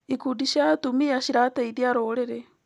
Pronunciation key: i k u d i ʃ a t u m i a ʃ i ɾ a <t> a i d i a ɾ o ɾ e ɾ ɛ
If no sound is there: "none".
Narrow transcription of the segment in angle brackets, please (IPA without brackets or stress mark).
t